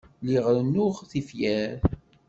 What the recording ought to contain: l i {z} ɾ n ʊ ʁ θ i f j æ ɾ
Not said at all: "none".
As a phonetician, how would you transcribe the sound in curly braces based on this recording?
ʁ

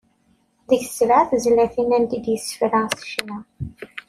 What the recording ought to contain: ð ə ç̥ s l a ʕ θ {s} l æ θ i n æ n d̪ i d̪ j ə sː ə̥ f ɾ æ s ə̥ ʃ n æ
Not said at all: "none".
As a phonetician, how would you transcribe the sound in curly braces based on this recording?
z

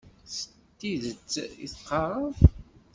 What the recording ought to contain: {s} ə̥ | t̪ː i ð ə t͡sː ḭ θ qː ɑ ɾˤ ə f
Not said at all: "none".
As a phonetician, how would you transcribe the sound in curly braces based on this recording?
s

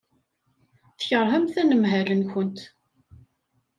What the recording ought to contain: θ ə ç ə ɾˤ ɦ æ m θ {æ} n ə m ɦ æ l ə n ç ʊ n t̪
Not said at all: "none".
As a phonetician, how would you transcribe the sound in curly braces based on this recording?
æ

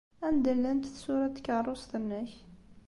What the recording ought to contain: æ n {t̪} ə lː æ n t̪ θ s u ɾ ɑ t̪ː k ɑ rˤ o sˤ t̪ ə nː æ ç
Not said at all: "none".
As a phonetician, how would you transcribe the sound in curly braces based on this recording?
d̪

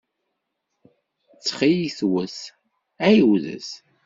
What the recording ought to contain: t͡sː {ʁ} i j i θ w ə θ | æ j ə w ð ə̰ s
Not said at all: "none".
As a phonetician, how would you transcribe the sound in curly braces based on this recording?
χ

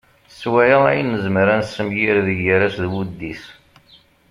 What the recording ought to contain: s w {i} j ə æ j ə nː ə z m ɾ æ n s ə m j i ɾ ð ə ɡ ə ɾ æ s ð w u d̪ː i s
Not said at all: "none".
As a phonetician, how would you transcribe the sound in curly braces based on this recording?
æ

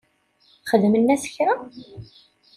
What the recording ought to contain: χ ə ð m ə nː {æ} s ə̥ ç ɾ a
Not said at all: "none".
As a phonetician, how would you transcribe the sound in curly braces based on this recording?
æ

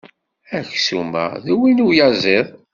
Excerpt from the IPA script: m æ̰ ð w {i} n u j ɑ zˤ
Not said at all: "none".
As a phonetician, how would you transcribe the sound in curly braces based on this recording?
i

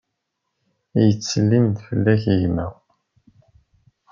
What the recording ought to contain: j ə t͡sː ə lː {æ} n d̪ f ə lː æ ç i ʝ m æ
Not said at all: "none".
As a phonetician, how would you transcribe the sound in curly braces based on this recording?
i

